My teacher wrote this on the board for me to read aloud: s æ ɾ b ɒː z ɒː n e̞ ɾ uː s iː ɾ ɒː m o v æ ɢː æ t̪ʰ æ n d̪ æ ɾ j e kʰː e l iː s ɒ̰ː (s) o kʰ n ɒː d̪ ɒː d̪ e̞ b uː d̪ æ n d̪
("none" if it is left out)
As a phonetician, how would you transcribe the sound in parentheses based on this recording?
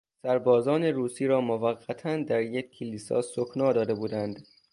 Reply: s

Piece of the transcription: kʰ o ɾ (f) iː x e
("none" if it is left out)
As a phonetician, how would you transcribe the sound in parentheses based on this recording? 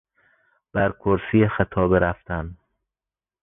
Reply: s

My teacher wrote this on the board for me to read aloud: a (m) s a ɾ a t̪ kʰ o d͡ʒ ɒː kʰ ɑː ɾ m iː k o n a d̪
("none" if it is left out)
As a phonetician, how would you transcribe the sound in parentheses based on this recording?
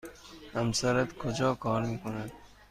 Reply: m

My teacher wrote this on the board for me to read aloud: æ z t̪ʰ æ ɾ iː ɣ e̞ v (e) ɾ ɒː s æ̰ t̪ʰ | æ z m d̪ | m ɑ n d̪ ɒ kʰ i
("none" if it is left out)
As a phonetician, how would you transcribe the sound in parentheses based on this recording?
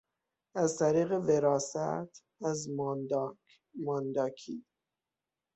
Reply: e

